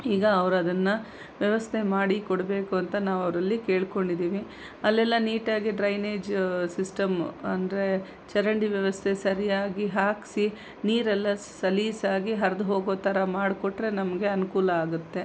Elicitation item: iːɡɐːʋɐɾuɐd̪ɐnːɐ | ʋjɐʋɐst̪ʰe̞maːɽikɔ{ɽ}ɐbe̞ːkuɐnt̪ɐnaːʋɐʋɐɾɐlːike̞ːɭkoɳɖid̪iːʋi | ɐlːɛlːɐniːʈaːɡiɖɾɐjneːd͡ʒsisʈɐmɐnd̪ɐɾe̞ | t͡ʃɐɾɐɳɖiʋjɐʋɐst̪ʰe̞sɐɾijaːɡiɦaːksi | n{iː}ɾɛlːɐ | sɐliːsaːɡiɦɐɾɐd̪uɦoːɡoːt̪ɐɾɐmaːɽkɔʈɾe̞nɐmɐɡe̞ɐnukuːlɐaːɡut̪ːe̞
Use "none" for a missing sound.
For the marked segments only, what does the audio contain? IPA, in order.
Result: ɽ, iː

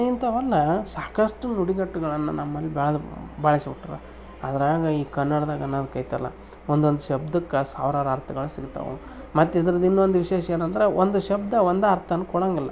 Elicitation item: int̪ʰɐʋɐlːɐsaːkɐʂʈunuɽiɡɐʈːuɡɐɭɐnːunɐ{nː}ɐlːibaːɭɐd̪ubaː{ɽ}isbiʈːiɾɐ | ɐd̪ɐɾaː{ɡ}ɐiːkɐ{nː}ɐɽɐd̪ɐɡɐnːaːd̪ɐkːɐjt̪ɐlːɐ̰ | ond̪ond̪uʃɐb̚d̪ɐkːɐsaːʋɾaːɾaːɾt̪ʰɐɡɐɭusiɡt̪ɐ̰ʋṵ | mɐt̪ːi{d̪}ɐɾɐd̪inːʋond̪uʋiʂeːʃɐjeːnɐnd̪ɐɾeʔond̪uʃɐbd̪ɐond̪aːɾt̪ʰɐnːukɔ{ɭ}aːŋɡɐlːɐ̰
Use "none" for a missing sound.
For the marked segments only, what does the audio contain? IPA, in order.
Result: mː, ɭ, ɡ, nː, d̪, ɽ

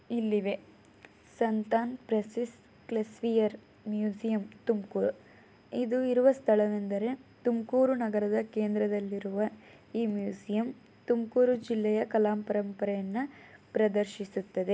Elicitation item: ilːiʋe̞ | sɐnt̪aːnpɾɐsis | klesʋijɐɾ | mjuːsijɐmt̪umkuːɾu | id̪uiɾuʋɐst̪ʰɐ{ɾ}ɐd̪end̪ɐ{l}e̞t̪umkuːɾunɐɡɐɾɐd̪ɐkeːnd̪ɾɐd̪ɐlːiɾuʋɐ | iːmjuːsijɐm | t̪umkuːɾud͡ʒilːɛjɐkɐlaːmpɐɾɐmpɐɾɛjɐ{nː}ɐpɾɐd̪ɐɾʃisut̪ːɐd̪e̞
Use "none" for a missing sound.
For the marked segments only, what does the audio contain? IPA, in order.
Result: ɭ, ɾ, nː

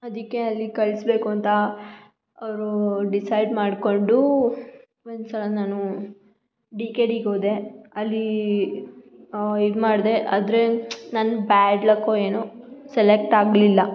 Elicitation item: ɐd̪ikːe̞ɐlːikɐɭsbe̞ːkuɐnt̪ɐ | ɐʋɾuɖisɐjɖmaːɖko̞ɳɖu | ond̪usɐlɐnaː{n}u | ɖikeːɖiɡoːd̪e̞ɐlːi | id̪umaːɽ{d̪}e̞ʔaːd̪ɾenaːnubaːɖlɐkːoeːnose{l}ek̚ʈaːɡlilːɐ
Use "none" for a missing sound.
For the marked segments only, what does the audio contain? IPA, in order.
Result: n, d̪, l

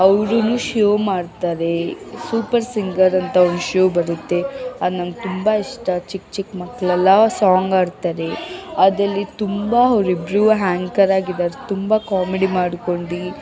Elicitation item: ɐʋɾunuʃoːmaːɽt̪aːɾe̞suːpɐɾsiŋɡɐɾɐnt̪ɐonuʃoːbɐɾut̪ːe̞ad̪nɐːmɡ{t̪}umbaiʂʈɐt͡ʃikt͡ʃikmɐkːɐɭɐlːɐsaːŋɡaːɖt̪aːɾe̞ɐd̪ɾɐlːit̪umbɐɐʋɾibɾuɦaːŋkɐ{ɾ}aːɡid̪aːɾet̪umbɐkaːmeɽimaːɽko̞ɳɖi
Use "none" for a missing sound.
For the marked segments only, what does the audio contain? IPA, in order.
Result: t̪, ɾ

